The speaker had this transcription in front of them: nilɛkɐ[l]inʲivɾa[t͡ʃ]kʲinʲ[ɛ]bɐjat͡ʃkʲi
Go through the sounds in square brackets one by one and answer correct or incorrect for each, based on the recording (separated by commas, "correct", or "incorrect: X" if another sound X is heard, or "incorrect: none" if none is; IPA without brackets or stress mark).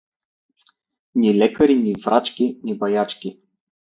incorrect: ɾ, correct, incorrect: i